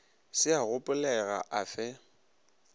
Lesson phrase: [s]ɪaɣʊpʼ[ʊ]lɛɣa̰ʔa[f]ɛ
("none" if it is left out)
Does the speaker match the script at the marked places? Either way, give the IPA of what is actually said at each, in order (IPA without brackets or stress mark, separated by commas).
s, ʊ, f